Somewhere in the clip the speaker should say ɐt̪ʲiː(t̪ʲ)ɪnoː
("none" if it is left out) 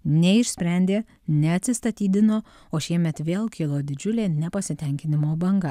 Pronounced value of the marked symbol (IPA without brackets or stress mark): d̪ʲ